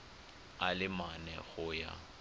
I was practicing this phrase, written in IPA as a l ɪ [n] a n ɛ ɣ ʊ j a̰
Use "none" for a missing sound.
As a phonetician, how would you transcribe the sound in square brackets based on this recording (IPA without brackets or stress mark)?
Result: m